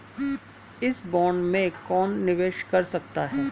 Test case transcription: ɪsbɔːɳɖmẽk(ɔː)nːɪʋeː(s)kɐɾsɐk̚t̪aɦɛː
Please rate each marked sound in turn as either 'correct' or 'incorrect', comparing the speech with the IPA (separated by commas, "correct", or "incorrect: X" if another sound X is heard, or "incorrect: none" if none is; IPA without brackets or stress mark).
correct, incorrect: ʃ